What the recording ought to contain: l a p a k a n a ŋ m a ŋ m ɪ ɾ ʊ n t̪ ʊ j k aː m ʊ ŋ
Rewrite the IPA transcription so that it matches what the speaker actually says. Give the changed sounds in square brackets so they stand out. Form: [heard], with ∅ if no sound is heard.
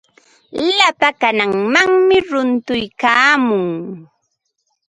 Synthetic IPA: l a p a k a n a ŋ m a ŋ m ɪ ɾ ʊ n t̪ ʊ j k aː m ʊ ŋ